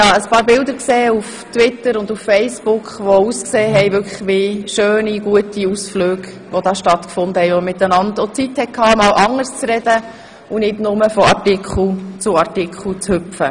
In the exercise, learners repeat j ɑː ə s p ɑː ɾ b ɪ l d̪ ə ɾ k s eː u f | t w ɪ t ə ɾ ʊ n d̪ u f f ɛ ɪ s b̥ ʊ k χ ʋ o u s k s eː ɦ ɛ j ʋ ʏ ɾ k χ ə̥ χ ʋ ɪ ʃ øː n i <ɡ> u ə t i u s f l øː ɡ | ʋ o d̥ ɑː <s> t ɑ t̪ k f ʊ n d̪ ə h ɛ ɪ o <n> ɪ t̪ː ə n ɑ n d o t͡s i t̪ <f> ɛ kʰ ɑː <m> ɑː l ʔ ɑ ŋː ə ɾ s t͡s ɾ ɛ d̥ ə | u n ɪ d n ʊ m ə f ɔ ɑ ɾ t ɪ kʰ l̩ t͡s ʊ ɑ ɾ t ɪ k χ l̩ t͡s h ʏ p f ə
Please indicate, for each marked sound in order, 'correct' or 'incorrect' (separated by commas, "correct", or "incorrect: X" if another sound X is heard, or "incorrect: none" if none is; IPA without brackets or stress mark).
correct, incorrect: ʃ, incorrect: m, incorrect: h, correct